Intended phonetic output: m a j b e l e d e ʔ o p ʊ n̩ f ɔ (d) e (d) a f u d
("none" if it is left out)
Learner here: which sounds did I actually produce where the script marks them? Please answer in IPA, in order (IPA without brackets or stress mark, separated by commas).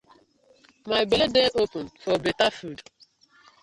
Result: b, t